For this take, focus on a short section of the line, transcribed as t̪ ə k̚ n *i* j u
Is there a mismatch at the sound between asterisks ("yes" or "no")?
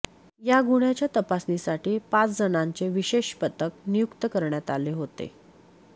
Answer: no